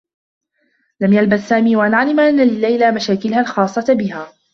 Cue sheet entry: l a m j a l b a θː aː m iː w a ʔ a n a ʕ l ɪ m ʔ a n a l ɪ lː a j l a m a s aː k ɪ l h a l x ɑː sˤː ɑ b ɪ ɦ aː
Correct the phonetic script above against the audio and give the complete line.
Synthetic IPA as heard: l a m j a l b a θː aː m iː w a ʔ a n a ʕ l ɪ m ʔ a nː a l ɪ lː a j l a m a ʃ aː k ɪ l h a l x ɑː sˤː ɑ b ɪ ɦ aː